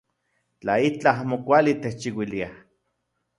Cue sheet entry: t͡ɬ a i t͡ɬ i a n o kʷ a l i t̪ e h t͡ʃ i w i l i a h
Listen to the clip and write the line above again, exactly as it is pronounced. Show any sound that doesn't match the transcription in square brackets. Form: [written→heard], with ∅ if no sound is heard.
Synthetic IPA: t͡ɬ a i t͡ɬ [i→a] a [n→m] o kʷ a l i t̪ e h t͡ʃ i w i l i a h